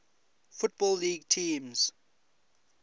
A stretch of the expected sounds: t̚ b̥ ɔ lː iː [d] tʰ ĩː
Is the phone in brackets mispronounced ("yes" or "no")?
yes